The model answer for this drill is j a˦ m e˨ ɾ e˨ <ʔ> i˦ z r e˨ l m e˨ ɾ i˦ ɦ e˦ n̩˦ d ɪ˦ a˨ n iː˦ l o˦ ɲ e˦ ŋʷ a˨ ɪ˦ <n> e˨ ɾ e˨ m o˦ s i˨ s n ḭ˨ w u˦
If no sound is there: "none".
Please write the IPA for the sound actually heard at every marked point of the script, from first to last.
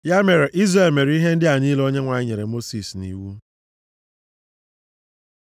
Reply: ʔ, ɲ

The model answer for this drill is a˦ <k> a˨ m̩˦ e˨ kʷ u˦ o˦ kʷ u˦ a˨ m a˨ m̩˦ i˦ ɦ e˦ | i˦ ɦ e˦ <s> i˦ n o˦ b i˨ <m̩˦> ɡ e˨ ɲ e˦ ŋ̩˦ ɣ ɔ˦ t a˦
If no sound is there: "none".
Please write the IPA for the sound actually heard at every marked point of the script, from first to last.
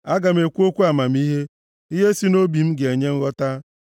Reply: ɡ, s, m̩˦

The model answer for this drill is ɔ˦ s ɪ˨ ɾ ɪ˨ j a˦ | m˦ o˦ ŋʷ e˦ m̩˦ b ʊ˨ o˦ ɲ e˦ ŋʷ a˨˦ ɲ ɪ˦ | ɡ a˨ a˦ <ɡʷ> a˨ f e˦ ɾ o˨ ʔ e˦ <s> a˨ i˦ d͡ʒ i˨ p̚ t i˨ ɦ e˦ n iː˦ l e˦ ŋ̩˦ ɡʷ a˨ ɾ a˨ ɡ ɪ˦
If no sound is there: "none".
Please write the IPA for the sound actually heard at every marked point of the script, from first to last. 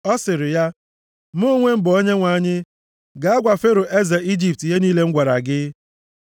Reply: ɡʷ, z

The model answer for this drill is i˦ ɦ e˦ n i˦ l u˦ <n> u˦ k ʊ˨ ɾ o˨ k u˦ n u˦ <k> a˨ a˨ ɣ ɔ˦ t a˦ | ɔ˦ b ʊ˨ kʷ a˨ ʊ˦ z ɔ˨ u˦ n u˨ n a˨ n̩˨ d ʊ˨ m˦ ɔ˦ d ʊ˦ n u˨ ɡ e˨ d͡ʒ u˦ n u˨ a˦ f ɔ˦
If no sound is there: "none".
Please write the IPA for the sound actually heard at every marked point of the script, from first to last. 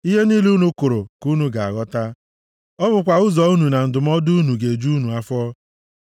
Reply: n, ɡ

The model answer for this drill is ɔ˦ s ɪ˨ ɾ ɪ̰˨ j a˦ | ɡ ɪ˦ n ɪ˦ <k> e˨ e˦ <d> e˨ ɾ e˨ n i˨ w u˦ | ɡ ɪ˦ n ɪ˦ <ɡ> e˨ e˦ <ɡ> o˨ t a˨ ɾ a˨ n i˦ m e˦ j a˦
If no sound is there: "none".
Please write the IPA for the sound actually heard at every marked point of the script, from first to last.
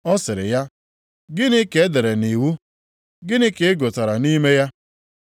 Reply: k, d, k, ɡ

